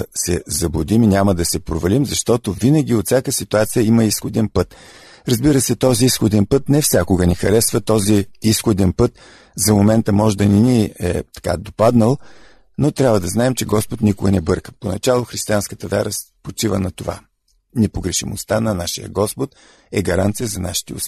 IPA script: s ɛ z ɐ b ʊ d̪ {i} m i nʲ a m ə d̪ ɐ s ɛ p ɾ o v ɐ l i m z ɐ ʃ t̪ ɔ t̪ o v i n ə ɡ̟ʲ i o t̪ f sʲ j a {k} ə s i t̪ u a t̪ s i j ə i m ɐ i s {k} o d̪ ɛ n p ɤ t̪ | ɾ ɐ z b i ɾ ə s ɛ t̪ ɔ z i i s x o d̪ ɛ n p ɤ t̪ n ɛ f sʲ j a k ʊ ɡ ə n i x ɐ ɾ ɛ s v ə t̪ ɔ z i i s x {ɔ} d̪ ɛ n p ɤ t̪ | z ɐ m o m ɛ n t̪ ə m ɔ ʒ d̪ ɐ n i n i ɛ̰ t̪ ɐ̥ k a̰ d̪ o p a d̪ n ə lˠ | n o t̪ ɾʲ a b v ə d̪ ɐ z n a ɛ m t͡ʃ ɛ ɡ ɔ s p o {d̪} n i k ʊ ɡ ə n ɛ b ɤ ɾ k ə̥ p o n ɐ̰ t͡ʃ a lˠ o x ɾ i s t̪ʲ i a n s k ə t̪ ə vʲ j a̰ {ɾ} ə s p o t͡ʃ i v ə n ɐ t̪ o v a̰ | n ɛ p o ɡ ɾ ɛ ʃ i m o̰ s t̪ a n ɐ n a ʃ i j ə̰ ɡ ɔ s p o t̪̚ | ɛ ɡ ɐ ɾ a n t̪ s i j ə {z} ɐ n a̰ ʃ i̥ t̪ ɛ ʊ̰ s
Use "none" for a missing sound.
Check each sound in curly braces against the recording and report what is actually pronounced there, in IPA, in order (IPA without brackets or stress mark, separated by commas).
i, k, x, o, t̪, ɾ, z